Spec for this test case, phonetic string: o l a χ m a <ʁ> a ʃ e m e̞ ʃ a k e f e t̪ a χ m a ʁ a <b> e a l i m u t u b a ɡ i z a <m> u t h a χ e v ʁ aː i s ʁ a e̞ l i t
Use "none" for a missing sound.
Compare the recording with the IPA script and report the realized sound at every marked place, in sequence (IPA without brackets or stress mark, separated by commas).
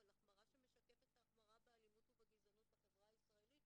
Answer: ʁ, b, n